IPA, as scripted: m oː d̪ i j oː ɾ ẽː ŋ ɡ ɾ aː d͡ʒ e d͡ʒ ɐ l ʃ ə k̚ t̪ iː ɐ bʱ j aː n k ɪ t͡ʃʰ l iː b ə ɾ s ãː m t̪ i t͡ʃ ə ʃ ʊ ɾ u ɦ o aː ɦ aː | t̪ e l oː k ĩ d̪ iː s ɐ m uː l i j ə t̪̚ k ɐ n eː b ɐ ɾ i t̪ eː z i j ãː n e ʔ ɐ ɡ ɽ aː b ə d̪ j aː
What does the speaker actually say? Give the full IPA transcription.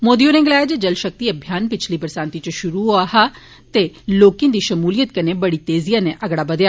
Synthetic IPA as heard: m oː d̪ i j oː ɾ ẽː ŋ ɡ l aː d͡ʒ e d͡ʒ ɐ l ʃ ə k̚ t̪ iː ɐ bʱ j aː n p ɪ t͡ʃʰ l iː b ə ɾ s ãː n t̪ i t͡ʃ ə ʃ ʊ ɾ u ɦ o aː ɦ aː | t̪ e l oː k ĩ d̪ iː ʃ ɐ m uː l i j ə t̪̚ k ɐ n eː b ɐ ɽ i t̪ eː z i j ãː n e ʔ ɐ ɡ ɽ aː b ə d̪ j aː